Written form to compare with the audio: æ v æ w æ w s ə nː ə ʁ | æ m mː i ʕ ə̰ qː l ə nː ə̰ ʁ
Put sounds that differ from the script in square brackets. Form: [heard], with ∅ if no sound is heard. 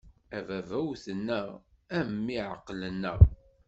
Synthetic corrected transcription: æ v æ [v] æ w [θ] ə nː ə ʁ | æ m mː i ʕ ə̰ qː l ə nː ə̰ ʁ